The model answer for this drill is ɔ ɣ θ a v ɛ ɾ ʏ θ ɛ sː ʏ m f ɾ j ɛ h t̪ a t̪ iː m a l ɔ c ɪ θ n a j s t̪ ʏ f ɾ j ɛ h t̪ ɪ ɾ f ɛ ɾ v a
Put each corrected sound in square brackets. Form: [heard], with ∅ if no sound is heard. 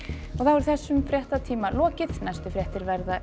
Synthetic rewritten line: ɔ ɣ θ a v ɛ ɾ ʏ θ ɛ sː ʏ m f ɾ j ɛ h t̪ a [t̪ʰ] iː m a l [ɔː] c ɪ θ n a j s t̪ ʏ f ɾ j ɛ h t̪ ɪ ɾ [v] ɛ ɾ [ð] a